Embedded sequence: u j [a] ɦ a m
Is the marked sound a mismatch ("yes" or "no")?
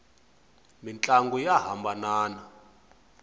no